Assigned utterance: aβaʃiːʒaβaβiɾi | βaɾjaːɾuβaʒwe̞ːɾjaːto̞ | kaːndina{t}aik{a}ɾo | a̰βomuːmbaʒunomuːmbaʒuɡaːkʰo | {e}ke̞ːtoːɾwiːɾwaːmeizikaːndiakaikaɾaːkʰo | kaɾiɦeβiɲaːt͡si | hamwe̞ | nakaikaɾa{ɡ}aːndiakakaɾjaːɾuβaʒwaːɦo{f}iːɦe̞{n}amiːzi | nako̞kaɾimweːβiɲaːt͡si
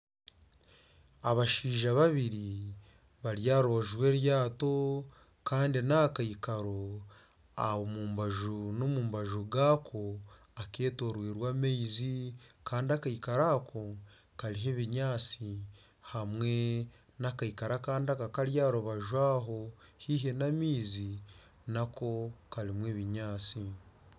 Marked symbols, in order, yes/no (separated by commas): no, yes, no, no, no, yes